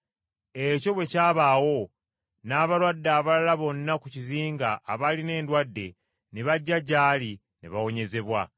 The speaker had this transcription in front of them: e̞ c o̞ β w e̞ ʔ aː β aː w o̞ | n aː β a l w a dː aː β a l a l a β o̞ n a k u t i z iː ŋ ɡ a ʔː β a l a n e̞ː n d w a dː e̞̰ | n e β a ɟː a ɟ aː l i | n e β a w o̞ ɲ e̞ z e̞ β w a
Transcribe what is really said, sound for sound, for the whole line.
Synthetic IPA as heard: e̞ c o̞ β w e̞ c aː β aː w o̞ | n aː β a l w a dː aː β a l a l a β o̞ nː a k u c i z iː ŋ ɡ a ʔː β a l i n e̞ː n d w a dː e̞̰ | n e β a ɟː a ɟ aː l i | n e β a w o̞ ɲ e̞ z e̞ β w a

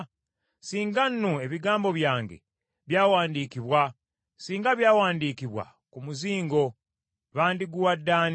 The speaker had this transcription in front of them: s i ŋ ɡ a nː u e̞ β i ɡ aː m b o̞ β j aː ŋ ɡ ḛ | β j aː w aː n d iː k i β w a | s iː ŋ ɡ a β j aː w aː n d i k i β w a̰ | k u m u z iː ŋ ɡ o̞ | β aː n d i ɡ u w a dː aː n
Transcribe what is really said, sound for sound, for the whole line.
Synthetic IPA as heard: s iː ŋ ɡ a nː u e̞ β i ɡ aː m b o̞ β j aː ŋ ɡ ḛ | β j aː w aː n d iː k i β w a | s iː ŋ ɡ a β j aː w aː n d i k i β w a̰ | k u m u z iː ŋ ɡ o̞ | β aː n d i ɡ u w a dː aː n

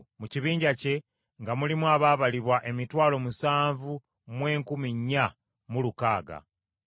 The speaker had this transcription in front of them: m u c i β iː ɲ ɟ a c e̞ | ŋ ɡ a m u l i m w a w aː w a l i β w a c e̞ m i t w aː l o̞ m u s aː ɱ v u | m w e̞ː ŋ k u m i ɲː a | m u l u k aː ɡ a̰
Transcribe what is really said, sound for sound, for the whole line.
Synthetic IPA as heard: m u c i β iː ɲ ɟ a c e̞ | ŋ ɡ a m u l i m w a β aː β a l i β w a ʔ e̞ m i t w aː l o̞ m u s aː ɱ v u | m w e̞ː ŋ k u m i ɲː a | m u l u k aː ɡ a̰

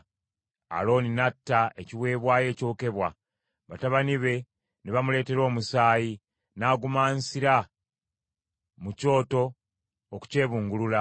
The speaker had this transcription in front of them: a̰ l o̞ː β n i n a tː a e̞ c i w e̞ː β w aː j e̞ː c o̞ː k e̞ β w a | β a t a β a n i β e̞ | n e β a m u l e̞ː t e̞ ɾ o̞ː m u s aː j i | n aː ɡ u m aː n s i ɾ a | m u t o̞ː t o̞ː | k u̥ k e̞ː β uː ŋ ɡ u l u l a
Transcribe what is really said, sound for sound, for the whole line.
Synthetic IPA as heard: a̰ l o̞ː n i n a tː a e̞ c i w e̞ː β w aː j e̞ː c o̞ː k e̞ β w a | β a t a β a n i β e̞ | n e β a m u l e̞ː t e̞ ɾ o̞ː m u s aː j i | n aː ɡ u m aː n s i ɾ a | m u c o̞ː t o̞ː | k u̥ c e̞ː β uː ŋ ɡ u l u l a

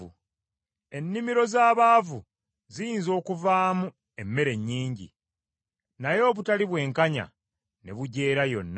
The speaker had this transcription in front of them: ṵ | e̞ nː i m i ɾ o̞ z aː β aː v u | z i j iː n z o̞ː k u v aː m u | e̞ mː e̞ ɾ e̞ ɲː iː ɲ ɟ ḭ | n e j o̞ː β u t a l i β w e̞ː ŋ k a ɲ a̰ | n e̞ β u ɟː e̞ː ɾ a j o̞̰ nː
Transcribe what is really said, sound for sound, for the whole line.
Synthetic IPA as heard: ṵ | e̞ nː i m i ɾ o̞ z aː β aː v u | z i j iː n z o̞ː k u v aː m u | e̞ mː e̞ ɾ e̞ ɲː iː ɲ ɟ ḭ | n a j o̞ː β u t a l i β w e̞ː ŋ k a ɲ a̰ | n e̞ β u ɟ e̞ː ɾ a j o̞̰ nː

